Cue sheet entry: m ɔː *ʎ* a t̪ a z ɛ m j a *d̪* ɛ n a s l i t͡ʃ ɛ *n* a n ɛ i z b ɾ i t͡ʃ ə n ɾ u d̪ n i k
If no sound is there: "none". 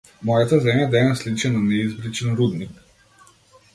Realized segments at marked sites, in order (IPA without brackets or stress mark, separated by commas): j, d̪, n